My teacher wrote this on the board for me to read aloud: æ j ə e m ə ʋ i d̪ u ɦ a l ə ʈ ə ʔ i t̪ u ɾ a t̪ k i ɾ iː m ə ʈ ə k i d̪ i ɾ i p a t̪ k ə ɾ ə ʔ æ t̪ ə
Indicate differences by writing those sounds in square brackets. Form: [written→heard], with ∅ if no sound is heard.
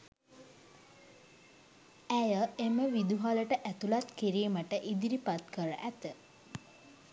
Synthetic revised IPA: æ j ə e m ə ʋ i d̪ u ɦ a l ə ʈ ə ʔ [i→æ] t̪ u [ɾ→l] a t̪ k i ɾ iː m ə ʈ ə [k→ʔ] i d̪ i ɾ i p a t̪ k ə ɾ ə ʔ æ t̪ ə

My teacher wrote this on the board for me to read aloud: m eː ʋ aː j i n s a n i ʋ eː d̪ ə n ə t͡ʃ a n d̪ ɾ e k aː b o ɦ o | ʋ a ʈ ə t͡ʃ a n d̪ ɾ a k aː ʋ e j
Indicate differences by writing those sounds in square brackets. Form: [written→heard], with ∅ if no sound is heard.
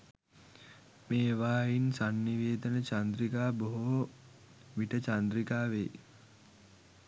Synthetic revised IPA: m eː ʋ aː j i n s a [n→nː] i ʋ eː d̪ ə n ə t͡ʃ a n d̪ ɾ [e→i] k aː b o ɦ o | ʋ [a→i] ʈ ə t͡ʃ a n d̪ ɾ [a→i] k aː ʋ e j

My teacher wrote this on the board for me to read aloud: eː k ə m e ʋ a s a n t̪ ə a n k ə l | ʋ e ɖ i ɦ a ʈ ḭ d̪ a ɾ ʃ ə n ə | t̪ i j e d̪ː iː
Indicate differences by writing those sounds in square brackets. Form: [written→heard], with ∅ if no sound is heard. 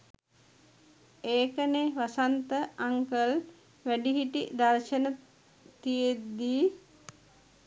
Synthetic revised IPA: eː k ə [m→n] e ʋ a s a n t̪ ə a [n→ŋ] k ə l | ʋ [e→æ] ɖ i ɦ [a→i] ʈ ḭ d̪ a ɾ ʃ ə n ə | t̪ i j e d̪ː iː

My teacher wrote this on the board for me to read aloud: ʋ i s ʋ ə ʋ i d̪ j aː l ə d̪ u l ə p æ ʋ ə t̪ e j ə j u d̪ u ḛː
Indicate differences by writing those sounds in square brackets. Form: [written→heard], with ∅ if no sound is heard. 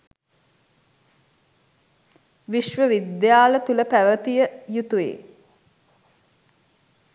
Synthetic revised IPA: ʋ i [s→ʃ] ʋ ə ʋ i d̪ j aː l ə [d̪→t̪] u l ə p æ ʋ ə t̪ [e→i] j ə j u [d̪→t̪] u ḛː

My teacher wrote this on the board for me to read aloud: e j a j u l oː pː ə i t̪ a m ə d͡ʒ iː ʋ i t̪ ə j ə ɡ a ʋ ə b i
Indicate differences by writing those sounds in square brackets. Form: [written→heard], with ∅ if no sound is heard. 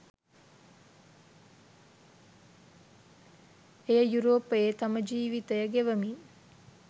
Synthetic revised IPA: e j [a→ə] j u [l→ɾ] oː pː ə [i→e] t̪ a m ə d͡ʒ iː ʋ i t̪ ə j ə ɡ [a→e] ʋ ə [b→m] i

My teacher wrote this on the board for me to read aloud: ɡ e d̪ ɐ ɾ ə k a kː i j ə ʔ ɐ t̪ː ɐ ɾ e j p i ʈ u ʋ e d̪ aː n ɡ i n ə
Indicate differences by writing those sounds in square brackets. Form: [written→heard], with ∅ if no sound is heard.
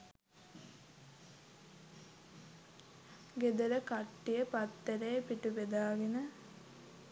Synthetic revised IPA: ɡ e d̪ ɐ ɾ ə k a [kː→ʈː] i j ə [ʔ→p] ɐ t̪ː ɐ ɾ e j p i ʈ u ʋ e d̪ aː [n→∅] ɡ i n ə

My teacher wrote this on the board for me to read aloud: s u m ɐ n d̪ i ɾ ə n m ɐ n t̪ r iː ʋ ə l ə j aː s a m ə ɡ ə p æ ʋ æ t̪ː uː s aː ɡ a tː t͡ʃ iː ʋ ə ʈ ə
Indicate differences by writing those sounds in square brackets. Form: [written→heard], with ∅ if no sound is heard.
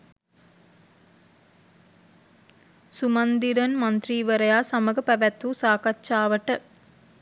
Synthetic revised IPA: s u m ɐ n d̪ i ɾ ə n m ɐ n t̪ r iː ʋ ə [l→ɾ] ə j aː s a m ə ɡ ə p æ ʋ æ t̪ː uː s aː [ɡ→k] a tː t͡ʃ [iː→aː] ʋ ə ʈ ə

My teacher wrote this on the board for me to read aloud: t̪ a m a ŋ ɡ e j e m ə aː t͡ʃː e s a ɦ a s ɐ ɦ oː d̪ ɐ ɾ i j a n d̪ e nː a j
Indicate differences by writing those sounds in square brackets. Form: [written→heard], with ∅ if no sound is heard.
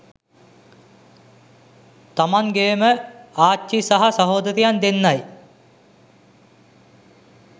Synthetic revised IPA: t̪ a m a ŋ ɡ e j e m ə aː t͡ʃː [e→i] s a ɦ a s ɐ ɦ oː d̪ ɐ ɾ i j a n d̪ e nː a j

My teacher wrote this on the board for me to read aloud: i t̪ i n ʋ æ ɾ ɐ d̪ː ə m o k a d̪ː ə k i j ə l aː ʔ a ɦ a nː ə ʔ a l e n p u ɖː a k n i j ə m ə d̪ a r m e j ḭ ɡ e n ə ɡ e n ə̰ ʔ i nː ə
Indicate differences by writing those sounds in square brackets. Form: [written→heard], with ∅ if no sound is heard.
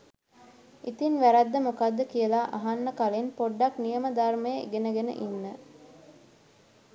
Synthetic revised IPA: i t̪ i n ʋ æ ɾ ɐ d̪ː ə m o k a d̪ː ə k i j ə l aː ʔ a ɦ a nː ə [ʔ→k] a l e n p [u→o] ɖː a k n i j ə m ə d̪ a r m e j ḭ ɡ e n ə ɡ e n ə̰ ʔ i nː ə

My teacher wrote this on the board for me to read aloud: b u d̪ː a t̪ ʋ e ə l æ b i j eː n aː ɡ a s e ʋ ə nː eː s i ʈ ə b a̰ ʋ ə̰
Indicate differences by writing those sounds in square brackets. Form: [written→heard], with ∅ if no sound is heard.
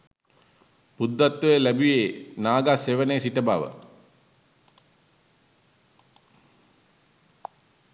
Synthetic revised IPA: [b→p] u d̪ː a t̪ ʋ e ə l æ b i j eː n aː ɡ a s e ʋ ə [nː→n] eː s i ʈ ə b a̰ ʋ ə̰

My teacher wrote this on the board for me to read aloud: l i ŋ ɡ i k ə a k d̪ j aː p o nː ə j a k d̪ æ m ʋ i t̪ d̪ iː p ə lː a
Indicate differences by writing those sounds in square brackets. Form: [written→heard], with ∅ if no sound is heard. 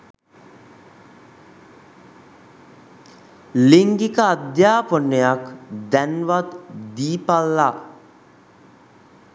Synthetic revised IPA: l i ŋ ɡ i k ə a [k→∅] d̪ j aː p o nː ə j a k d̪ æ [m→n] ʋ [i→a] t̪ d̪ iː p [ə→a] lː a

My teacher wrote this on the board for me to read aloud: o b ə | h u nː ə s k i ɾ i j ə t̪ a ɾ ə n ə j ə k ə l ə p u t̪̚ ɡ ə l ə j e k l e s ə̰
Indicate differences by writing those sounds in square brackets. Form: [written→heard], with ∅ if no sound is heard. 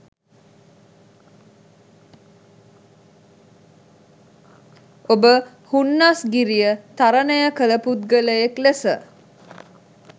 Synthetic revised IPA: o b ə | h u nː [ə→a] s [k→ɡ] i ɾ i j ə t̪ a ɾ ə n ə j ə k ə l ə p u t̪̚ ɡ ə l ə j e k l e s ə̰

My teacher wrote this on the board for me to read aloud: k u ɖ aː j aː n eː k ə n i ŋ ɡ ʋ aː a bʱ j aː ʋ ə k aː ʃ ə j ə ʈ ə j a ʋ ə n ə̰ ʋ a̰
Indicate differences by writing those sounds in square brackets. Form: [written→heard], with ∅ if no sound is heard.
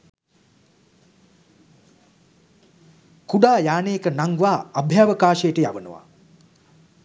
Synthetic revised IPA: k u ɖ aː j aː n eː k ə n [i→a] ŋ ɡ ʋ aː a bʱ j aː ʋ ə k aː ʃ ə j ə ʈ ə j a ʋ ə n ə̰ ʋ a̰

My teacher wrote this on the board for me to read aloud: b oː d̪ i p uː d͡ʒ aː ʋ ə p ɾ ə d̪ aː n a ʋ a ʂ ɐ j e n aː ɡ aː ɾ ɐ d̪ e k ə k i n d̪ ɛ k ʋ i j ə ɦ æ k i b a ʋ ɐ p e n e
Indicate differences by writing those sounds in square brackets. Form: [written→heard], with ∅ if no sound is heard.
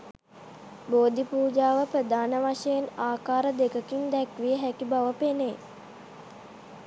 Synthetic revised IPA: b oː d̪ i p uː d͡ʒ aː ʋ ə p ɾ ə d̪ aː n [a→ə] ʋ a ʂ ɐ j e n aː [ɡ→k] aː ɾ [ɐ→ə] d̪ e k ə k i n d̪ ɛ k ʋ i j ə ɦ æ k i b a ʋ [ɐ→ə] p e n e

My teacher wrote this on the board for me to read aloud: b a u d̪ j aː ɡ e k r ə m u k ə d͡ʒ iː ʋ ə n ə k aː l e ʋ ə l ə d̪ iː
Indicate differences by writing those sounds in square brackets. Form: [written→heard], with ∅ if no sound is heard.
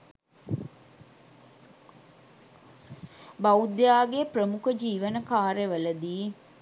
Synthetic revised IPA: b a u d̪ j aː ɡ e [k→p] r ə m u k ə d͡ʒ iː ʋ ə n ə k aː [l→ɾ] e ʋ ə l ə d̪ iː

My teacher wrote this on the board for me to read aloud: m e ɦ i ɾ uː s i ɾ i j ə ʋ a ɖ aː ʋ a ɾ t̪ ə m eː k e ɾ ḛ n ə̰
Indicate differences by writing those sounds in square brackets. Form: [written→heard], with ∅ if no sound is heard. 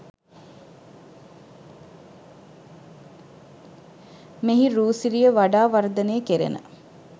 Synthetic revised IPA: m e ɦ i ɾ uː s i ɾ i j ə ʋ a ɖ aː ʋ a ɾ [t̪→d̪] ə [m→n] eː k e ɾ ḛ n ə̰

